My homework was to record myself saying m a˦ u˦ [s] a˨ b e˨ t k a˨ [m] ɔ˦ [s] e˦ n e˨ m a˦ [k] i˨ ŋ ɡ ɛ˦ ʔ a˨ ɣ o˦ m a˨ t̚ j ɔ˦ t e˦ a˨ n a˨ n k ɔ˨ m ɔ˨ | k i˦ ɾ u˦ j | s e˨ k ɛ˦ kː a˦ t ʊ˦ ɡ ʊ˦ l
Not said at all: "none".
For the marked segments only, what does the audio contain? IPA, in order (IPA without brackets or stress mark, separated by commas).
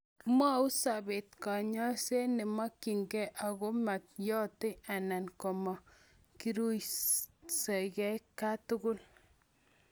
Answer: s, ɲ, s, k